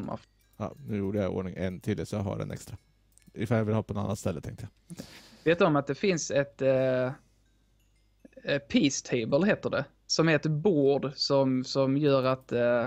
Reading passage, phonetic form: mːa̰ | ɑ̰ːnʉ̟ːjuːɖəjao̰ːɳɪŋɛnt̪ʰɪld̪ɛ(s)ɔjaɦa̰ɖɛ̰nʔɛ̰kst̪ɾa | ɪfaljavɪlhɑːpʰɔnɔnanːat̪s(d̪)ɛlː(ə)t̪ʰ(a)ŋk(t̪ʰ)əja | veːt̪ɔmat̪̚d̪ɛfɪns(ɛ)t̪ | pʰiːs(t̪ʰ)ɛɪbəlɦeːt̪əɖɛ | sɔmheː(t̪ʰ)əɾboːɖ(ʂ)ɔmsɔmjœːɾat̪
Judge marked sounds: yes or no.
yes, no, yes, no, no, yes, yes, no, no

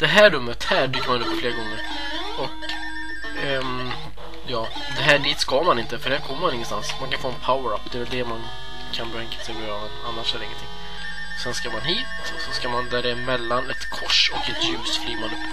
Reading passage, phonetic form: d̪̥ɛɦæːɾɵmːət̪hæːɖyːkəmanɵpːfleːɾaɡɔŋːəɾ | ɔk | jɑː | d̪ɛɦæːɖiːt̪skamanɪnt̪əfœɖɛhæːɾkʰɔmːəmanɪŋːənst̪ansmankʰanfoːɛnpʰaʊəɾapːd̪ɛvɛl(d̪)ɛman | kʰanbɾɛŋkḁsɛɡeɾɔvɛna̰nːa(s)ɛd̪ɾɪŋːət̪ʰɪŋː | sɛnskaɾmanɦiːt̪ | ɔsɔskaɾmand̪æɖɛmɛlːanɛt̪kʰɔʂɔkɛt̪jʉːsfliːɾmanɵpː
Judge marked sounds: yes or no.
yes, no

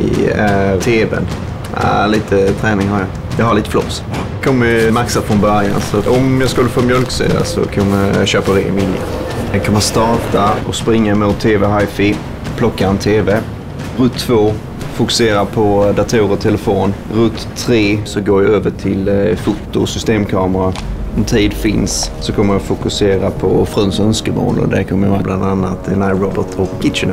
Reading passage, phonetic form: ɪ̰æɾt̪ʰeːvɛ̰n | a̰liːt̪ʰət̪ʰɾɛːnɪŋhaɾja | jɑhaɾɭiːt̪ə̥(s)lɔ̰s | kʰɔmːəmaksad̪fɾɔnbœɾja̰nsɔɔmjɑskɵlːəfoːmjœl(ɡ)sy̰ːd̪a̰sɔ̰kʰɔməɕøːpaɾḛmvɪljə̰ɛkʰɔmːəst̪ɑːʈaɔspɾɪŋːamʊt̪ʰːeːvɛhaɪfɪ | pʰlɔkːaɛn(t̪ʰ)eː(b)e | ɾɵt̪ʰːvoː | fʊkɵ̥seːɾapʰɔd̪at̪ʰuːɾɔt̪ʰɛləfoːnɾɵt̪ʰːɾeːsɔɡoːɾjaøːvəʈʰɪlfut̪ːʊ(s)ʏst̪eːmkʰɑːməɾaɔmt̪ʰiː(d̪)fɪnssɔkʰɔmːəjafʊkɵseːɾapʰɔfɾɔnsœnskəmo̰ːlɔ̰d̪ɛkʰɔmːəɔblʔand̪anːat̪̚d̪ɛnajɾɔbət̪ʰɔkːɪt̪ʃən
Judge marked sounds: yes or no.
no, no, yes, no, yes, yes

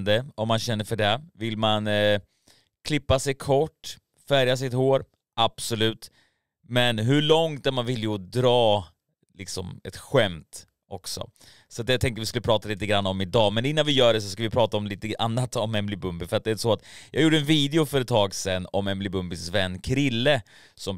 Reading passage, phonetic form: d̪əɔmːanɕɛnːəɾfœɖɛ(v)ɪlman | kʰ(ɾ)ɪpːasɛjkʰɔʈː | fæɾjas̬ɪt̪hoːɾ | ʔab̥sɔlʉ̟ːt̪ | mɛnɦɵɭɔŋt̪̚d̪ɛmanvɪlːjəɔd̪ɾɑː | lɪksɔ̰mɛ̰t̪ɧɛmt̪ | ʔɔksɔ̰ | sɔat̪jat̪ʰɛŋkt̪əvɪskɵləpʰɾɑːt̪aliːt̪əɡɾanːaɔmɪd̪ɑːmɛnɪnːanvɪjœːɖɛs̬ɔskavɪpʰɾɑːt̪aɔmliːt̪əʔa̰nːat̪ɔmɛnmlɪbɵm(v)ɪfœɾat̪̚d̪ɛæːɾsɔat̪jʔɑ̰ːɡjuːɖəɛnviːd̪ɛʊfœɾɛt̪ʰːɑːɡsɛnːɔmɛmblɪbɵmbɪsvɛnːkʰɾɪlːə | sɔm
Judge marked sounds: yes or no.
yes, no, no

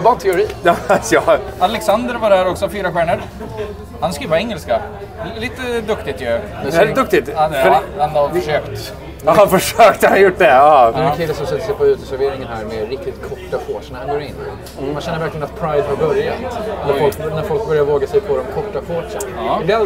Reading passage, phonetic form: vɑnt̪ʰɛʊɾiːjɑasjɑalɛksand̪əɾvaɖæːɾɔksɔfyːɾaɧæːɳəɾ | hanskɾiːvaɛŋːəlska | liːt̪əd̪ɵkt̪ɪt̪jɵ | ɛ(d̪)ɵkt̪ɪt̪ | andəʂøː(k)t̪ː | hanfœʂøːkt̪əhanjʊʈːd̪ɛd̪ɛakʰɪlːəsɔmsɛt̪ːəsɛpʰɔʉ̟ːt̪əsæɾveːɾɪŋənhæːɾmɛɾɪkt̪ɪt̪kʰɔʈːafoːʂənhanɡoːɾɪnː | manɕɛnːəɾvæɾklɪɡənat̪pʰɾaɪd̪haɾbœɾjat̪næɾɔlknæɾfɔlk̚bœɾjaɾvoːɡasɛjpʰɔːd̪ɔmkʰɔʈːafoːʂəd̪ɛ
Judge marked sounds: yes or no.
yes, yes

